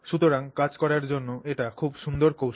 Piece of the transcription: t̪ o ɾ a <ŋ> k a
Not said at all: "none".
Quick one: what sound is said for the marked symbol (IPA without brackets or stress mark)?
ŋ